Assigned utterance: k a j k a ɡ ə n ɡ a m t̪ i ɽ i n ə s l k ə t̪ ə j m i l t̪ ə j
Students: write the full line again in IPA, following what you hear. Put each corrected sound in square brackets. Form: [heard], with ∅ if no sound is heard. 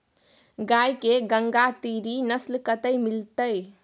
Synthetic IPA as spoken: [ɡ] a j k [e] ɡ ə [ŋ] ɡ a [∅] t̪ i [ɾ] i n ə s l k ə t̪ ə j m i l t̪ ə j